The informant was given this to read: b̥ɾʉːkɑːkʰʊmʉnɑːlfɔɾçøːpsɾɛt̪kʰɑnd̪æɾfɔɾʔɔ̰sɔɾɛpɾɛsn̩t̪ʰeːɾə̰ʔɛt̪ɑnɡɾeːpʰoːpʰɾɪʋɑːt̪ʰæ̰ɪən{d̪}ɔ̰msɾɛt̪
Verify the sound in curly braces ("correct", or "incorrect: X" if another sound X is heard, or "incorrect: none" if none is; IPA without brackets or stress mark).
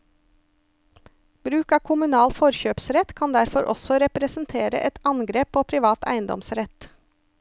correct